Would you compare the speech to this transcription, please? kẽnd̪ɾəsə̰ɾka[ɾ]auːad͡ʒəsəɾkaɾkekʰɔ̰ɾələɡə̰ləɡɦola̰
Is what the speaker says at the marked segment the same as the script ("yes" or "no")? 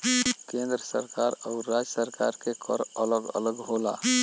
yes